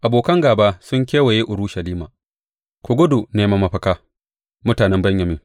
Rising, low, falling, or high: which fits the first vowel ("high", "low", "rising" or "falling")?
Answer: low